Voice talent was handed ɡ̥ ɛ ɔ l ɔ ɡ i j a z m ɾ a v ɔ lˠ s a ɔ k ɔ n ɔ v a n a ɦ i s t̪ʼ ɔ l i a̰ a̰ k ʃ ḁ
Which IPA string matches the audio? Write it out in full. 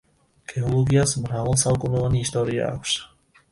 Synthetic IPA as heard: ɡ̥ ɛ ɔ l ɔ ɡ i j a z m ɾ a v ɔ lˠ s a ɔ k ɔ n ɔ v a n i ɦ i s t̪ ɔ ɾ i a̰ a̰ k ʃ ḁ

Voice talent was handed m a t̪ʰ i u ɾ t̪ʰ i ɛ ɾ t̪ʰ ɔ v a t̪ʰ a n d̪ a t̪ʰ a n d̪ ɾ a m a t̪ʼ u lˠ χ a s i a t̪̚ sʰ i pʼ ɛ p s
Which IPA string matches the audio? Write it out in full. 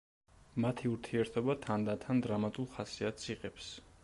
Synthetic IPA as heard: m a t̪ʰ i u ɾ t̪ʰ i ɛ ɾ t̪ʰ ɔ b a t̪ʰ a n d̪ a t̪ʰ a n d̪ ɾ a m a t̪ʼ u lˠ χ a s i a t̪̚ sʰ i qʼ ɛ p s

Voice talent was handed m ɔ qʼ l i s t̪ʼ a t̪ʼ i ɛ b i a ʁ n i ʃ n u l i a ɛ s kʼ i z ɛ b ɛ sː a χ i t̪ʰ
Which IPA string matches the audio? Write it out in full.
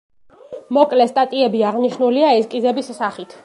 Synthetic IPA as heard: m ɔ kʼ l ɛ s t̪ʼ a t̪ʼ i ɛ b i a ʁ n i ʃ n u l i a ɛ s kʼ i z ɛ b i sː a χ i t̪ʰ

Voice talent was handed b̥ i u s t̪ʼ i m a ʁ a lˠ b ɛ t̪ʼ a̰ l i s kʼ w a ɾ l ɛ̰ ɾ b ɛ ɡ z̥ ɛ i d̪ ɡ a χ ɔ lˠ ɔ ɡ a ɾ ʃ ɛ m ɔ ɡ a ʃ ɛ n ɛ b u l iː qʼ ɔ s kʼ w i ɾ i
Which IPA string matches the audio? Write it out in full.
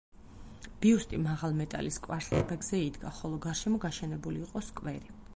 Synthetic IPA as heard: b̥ i u s t̪ʼ i m a ʁ a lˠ m ɛ t̪ʼ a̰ l i s kʼ w a ɾ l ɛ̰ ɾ b ɛ ɡ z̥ ɛ i d̪ ɡ a χ ɔ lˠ ɔ ɡ a ɾ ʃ ɛ m ɔ ɡ a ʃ ɛ n ɛ b u l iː qʼ ɔ s kʼ w ɛ ɾ i

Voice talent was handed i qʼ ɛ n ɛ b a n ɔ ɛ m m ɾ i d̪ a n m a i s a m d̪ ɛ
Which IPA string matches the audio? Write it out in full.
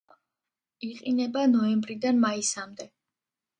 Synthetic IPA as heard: i qʼ i n ɛ b a n ɔ ɛ m b ɾ i d̪ a n m a i s a m d̪ ɛ

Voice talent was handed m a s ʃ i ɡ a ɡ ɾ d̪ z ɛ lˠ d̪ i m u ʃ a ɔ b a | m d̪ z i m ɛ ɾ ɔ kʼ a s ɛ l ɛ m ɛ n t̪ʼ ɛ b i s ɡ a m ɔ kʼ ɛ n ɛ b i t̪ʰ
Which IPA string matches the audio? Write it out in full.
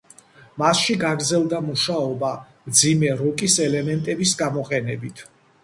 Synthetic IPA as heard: m a s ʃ i ɡ a ɡ ɾ d̪ z ɛ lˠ d̪ a m u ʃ a ɔ b a | m d̪ z i m ɛ ɾ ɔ kʼ i s ɛ l ɛ m ɛ n t̪ʼ ɛ b i s ɡ a m ɔ qʼ ɛ n ɛ b i t̪ʰ

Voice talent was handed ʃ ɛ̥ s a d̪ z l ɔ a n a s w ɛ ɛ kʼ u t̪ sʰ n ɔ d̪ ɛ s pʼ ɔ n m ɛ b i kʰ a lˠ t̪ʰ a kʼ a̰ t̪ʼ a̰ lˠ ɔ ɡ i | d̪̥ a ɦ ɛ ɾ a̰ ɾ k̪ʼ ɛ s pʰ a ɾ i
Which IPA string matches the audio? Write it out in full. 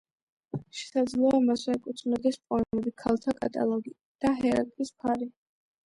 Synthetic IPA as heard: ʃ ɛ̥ s a d̪ z l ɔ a m a s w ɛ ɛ kʼ u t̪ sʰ n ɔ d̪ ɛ s pʼ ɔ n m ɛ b i kʰ a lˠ t̪ʰ a kʼ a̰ t̪ʼ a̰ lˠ ɔ ɡ i | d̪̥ a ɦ ɛ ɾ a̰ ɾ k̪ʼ i s pʰ a ɾ i

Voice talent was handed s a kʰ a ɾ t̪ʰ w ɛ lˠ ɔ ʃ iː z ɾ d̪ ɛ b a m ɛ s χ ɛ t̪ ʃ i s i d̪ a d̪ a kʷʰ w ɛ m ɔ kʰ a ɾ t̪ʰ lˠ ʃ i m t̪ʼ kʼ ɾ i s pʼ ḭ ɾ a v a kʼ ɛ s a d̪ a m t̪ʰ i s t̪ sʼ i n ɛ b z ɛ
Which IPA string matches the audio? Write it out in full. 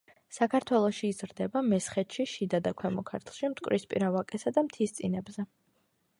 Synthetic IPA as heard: s a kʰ a ɾ t̪ʰ w ɛ lˠ ɔ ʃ iː z ɾ d̪ ɛ b a m ɛ s χ ɛ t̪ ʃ i ʃ i d̪ a d̪ a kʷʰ w ɛ m ɔ kʰ a ɾ t̪ʰ lˠ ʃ i m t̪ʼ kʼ ɾ i s pʼ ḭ ɾ a v a kʼ ɛ s a d̪ a m t̪ʰ i s t̪ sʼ i n ɛ b z ɛ

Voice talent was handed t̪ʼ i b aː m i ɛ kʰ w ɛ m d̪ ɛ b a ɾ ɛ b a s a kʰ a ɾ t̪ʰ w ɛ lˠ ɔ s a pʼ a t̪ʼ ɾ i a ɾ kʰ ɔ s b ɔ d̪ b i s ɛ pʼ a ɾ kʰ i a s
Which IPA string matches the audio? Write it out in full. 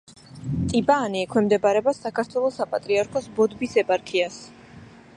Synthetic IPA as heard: t̪ʼ i b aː n i ɛ kʰ w ɛ m d̪ ɛ b a ɾ ɛ b a s a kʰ a ɾ t̪ʰ w ɛ lˠ ɔ s a pʼ a t̪ʼ ɾ i a ɾ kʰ ɔ s b ɔ d̪ b i s ɛ pʼ a ɾ kʰ i a s

